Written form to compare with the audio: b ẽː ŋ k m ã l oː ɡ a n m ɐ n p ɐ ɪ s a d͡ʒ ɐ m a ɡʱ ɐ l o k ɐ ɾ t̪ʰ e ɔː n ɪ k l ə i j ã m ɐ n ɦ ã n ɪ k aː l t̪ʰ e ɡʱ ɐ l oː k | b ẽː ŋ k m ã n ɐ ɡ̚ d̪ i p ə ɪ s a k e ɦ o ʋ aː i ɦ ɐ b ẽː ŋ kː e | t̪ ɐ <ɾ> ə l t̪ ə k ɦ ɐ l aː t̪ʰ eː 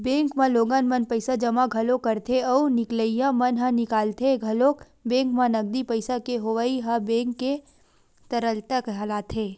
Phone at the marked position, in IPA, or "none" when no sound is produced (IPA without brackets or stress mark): ɾ